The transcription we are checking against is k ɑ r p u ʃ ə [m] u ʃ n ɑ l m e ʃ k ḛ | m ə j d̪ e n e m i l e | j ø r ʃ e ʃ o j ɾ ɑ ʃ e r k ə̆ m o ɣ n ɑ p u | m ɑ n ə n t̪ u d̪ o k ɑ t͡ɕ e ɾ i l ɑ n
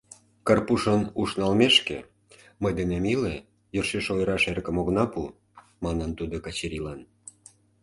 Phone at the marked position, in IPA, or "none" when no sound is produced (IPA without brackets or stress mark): n